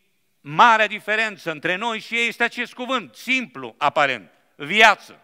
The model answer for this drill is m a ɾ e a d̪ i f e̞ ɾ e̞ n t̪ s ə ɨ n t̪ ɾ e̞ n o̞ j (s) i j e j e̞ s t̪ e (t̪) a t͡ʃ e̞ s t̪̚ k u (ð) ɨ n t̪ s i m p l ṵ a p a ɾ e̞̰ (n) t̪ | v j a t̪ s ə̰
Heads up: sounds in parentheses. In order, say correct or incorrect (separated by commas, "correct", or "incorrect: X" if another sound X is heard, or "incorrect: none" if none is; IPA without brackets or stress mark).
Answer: incorrect: ʃ, incorrect: none, incorrect: v, correct